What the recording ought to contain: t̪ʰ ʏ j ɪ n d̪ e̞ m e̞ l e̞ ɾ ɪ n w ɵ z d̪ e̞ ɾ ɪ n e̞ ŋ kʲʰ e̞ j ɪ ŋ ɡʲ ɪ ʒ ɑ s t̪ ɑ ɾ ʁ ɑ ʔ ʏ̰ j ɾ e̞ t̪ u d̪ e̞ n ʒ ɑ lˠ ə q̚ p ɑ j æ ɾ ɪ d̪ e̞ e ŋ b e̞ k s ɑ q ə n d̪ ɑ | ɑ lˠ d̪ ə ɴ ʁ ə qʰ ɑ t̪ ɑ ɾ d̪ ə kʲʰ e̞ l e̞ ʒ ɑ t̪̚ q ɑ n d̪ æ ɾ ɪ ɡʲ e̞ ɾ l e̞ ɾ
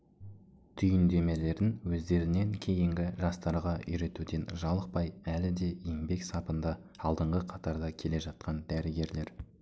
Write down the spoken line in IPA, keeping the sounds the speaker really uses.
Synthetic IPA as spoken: t̪ʰ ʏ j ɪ n d̪ e̞ m e̞ l e̞ ɾ ɪ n w ɵ z d̪ e̞ ɾ ɪ n e̞ ŋ kʲʰ e̞ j ɪ ŋ ɡʲ ɪ ʒ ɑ s t̪ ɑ ɾ ʁ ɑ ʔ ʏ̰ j ɾ e̞ t̪ u d̪ e̞ n ʒ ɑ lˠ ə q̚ p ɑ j æ l ɪ d̪ e̞ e ŋ b e̞ k s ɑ p ə n d̪ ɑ | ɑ lˠ d̪ ə ɴ ʁ ə qʰ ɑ t̪ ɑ ɾ d̪ ɑ kʲʰ e̞ l e̞ ʒ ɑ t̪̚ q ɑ n d̪ æ ɾ ɪ ɡʲ e̞ ɾ l e̞ ɾ

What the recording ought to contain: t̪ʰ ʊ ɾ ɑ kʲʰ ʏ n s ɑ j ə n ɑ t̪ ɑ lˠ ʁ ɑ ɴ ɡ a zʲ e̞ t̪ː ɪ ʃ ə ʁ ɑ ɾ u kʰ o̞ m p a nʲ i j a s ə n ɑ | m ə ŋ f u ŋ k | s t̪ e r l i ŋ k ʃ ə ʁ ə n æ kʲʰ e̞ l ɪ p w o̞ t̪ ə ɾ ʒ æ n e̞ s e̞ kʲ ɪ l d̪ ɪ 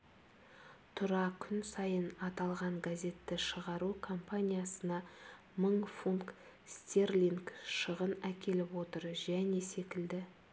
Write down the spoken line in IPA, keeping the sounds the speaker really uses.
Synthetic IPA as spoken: t̪ʰ ʊ ɾ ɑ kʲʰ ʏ n s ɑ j ə n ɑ t̪ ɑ lˠ ʁ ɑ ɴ ɡ a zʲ e̞ t̪ː ɪ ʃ ə ʁ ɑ ɾ u kʰ o̞ m p a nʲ i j a s ə n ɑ | m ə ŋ f u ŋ k | s t̪ e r l i ŋ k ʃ ə ʁ ə n æ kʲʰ e̞ l ɪ p w o̞ t̪ ə ɾ ʒ æ n e̞ s e̞ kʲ ɪ l d̪ ɪ

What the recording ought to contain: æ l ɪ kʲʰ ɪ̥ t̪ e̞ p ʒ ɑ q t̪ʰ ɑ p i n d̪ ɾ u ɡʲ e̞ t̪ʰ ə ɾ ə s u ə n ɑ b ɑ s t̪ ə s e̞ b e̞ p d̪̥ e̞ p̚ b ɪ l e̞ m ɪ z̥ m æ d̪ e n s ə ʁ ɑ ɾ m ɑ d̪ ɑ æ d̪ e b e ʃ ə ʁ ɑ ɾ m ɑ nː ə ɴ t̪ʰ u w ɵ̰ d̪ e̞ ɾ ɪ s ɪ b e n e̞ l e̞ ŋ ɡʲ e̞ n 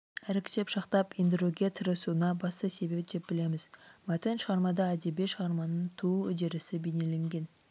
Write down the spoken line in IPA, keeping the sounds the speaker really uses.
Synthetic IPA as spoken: æ ɾ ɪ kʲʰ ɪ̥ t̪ e̞ p ʃ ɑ q t̪ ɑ p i n d̪ ɾ u ɡʲ e̞ t̪ʰ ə ɾ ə s u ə n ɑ b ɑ s t̪ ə s e̞ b e̞ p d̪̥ e̞ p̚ b ɪ l e̞ m ɪ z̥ m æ t̪ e n ʃ ə ʁ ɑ ɾ m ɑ d̪ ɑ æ d̪ e b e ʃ ə ʁ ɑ ɾ m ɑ n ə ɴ t̪ʰ u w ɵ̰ d̪ e̞ ɾ ɪ s ɪ b e n e̞ l e̞ ŋ ɡʲ e̞ n

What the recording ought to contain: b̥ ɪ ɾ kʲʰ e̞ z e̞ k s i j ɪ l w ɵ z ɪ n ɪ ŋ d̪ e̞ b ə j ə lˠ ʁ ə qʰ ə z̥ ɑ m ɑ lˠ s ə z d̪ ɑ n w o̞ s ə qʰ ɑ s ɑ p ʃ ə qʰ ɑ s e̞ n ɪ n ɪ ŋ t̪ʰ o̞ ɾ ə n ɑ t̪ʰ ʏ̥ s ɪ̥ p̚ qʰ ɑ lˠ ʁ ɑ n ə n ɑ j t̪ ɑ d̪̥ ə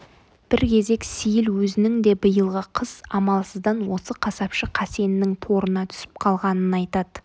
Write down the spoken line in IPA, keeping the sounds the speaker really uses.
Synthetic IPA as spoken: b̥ ɪ ɾ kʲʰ e̞ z e̞ k s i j ɪ l w ɵ z ɪ n ɪ ŋ d̪ e̞ b ə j ə lˠ ʁ ə qʰ ə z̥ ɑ m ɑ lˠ s ə z d̪ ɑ n w o̞ s ə qʰ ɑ s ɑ p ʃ ə qʰ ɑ s e̞ n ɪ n ɪ ŋ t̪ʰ o̞ ɾ ə n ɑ t̪ʰ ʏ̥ s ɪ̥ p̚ qʰ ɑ lˠ ʁ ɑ n ə n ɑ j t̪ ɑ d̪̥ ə

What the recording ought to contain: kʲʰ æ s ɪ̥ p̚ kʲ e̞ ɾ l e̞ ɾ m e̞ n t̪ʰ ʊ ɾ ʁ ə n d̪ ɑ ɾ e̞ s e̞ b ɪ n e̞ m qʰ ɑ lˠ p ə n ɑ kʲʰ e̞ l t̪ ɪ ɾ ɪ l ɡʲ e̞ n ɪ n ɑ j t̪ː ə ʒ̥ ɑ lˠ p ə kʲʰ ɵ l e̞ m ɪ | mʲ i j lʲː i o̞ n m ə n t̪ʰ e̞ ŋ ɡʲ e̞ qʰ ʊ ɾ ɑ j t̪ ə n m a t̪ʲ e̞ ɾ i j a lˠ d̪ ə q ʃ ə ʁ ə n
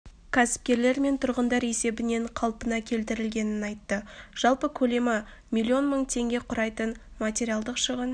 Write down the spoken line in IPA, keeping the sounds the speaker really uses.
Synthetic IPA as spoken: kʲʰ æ s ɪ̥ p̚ kʲ e̞ ɾ l e̞ ɾ m e̞ n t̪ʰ ʊ ɾ ʁ ə n d̪ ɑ ɾ e̞ s e̞ b ɪ n e̞ ɴ qʰ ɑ lˠ p ə n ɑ kʲʰ e̞ l t̪ ɪ ɾ ɪ l ɡʲ e̞ n ɪ n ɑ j t̪ː ə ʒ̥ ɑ lˠ p ə kʲʰ ɵ l e̞ m ɪ | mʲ i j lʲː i o̞ n m ə ɴ t̪ʰ e̞ ŋ ɡʲ e̞ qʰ ʊ ɾ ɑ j t̪ ə n m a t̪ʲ e̞ ɾ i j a lˠ d̪ ə q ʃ ə ʁ ə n

